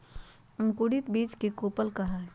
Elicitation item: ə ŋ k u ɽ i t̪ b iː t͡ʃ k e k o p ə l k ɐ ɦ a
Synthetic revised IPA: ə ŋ k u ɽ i t̪ b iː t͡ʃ k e k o p ə l k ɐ ɦ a